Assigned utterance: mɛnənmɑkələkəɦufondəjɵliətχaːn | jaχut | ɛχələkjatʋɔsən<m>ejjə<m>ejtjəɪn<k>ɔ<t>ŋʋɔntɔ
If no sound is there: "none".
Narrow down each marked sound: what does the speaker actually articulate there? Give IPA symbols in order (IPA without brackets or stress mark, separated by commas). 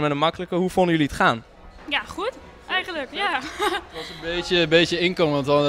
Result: b, b, k, none